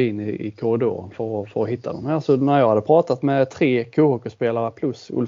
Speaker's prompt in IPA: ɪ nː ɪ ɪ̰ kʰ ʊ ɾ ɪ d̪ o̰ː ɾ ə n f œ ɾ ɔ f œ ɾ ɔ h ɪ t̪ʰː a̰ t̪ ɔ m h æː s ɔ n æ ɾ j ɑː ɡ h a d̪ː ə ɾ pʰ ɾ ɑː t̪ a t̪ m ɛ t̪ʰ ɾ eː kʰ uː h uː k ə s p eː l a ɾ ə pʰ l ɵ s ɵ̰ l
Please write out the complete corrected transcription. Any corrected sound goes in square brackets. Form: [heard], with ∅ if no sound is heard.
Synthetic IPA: ɪ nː ɪ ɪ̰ kʰ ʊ ɾ ɪ d̪ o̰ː ɾ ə n f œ ɾ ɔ f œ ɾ ɔ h ɪ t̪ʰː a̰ [d̪] ɔ m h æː s ɔ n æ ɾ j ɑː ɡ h a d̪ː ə [∅] pʰ ɾ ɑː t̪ a t̪ m ɛ t̪ʰ ɾ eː kʰ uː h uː k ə s p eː l a ɾ ə pʰ l ɵ s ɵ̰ l